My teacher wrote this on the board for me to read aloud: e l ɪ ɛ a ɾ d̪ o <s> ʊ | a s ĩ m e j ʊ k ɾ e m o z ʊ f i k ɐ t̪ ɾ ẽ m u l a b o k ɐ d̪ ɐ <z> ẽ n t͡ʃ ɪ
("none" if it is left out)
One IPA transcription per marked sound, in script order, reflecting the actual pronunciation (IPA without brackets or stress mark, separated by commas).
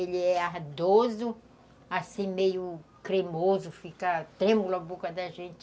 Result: z, ʒ